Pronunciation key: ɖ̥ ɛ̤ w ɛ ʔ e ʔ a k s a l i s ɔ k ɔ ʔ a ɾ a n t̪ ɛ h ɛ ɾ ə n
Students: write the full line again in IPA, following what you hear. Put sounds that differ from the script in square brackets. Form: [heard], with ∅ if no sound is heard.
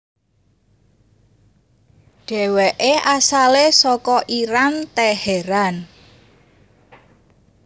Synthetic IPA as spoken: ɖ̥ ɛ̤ w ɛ ʔ e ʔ a [∅] s a l [e] s ɔ k ɔ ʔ [i] ɾ a n t̪ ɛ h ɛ ɾ [a] n